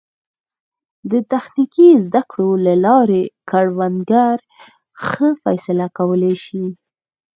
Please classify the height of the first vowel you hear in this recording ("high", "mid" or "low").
mid